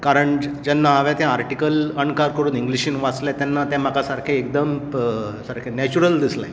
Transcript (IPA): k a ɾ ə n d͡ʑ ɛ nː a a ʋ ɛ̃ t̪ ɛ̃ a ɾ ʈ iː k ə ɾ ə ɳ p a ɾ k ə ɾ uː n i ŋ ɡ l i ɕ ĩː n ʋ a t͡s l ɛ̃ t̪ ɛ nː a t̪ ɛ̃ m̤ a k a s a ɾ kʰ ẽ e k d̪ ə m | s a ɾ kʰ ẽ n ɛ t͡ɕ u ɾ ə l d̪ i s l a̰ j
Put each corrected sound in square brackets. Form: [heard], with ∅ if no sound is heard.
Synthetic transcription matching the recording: k a ɾ ə [ɳ] d͡ʑ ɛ nː a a ʋ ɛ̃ t̪ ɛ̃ a ɾ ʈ [i] k ə [l] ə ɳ [k] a ɾ k ə ɾ uː n i ŋ ɡ l i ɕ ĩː n ʋ a t͡s l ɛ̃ t̪ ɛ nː a t̪ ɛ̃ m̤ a k a s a ɾ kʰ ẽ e k d̪ ə m | s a ɾ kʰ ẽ n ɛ t͡ɕ u ɾ ə l d̪ i s l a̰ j